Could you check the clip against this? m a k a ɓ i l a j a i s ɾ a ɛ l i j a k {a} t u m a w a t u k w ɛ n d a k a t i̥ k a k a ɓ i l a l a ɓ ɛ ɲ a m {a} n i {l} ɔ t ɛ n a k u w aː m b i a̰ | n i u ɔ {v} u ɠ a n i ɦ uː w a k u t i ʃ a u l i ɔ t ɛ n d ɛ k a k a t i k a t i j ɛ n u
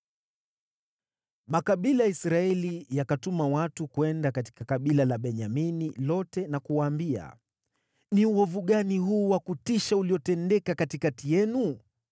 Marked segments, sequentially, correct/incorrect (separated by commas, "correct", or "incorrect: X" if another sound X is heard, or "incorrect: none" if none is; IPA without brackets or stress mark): correct, incorrect: i, correct, correct